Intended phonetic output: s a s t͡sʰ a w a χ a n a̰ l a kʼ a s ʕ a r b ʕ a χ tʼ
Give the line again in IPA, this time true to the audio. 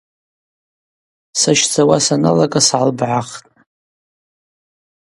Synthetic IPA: s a ʃ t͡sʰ a w a s a n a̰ l a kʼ a s ʕ a l b ʕ a χ tʼ

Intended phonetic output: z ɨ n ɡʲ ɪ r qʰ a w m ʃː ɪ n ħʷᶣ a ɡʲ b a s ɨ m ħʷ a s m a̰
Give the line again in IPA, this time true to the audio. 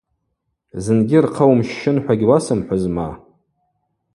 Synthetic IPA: z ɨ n ɡʲ ɪ r qʰ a w m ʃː ɪ n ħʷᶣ a ɡʲ w a s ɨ m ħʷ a z m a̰

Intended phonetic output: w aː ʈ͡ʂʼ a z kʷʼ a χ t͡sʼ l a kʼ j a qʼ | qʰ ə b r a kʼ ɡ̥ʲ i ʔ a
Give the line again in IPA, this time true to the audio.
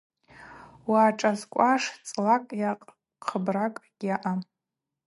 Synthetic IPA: w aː ʈ͡ʂʼ a z kʷʼ a ʂ t͡sʼ l a kʼ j a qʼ | qʰ ə b r a kʼ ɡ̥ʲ a ʔ a

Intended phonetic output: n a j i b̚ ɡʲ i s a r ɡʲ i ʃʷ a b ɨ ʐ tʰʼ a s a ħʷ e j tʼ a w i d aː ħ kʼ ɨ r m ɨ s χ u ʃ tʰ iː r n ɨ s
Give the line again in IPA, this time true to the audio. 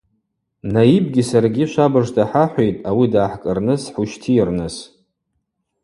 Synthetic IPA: n a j i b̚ ɡʲ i s a r ɡʲ i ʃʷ a b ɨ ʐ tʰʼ a ħ a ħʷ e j tʼ a w i d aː ħ kʼ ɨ r n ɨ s ħ u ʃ tʰ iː r n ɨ s

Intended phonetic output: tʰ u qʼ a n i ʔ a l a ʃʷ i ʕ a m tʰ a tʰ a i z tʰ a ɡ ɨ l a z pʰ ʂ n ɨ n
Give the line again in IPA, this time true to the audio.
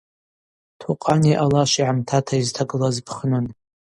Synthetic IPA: tʰ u qʼ a n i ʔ a l a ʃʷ i ʕ a m tʰ a tʰ a i z tʰ a ɡ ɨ l a z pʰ χ n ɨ n

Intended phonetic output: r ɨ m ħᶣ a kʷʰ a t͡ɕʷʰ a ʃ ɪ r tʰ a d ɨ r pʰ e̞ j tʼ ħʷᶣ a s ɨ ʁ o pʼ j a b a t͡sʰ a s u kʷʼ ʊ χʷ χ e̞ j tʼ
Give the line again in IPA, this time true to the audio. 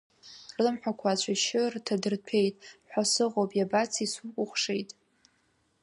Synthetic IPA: r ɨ m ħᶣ a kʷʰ a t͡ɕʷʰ a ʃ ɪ r tʰ a d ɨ r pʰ e̞ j tʼ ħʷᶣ a s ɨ ʁ o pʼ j a b a t͡sʰ i s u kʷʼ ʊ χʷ ʂ e̞ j tʼ

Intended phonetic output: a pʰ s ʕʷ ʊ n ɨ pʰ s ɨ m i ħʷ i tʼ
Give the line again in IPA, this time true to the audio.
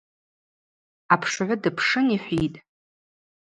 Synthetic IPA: a pʰ ʂ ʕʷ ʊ d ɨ pʰ ʂ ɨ n i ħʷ i tʼ

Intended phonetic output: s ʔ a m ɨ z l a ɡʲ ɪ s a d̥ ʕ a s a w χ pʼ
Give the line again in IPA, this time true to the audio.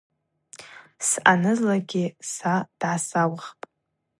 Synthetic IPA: s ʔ a n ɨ z l a ɡʲ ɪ s a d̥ ʕ a s a w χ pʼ

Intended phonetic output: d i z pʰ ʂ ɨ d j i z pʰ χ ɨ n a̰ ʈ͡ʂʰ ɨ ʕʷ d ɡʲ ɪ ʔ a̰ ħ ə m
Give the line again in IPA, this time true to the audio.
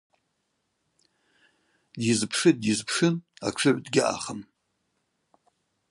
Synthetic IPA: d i z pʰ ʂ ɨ d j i z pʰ ʂ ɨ n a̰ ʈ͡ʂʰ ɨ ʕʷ d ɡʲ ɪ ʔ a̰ χ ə m

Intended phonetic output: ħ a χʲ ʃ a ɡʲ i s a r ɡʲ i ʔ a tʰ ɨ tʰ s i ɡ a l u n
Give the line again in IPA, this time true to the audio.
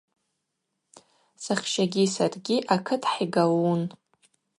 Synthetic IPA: s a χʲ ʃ a ɡʲ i s a r ɡʲ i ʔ a kʰ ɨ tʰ ħ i ɡ a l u n

